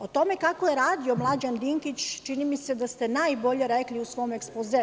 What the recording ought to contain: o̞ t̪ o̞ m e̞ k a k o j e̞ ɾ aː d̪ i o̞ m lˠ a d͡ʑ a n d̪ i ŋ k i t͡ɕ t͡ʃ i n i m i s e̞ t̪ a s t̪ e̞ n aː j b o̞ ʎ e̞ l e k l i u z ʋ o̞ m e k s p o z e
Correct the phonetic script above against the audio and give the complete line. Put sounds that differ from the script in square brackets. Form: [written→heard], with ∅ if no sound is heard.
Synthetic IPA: o̞ t̪ o̞ m e̞ k a k o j e̞ ɾ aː d̪ i o̞ m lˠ a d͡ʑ a n d̪ i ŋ k i t͡ɕ t͡ʃ i n i m i s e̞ [t̪→d̪] a s t̪ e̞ n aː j b o̞ ʎ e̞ [l→ɾ] e k l i u [z→s] ʋ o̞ m e k s p o z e